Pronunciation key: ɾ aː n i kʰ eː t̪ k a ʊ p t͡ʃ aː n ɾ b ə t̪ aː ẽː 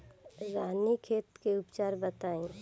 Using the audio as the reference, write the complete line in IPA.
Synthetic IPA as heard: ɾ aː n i kʰ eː t̪ k e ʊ p t͡ʃ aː ɾ b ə t̪ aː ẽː